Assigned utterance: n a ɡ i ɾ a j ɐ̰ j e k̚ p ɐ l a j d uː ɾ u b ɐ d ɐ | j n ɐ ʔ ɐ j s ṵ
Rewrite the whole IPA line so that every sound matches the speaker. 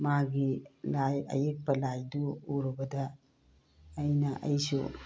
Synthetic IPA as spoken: m a ɡ i l a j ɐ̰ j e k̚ p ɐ l a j d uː ɾ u b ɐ d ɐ | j n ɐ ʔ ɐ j s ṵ